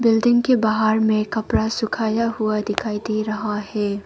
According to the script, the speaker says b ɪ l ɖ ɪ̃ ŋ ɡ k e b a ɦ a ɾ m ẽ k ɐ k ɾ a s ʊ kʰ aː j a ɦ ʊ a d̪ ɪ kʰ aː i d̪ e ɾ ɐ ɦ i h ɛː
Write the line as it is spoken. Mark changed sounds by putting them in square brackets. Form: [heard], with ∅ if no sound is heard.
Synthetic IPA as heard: b ɪ l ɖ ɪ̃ ŋ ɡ k e b a ɦ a ɾ m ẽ k ɐ [p] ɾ a s ʊ kʰ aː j a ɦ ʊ a d̪ ɪ kʰ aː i d̪ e ɾ ɐ ɦ [a] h ɛː